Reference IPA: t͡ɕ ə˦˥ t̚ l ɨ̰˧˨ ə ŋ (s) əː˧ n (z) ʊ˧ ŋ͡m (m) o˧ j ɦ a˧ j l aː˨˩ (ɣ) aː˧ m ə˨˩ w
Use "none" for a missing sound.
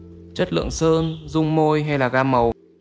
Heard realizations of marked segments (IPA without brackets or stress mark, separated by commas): s, z, m, ɣ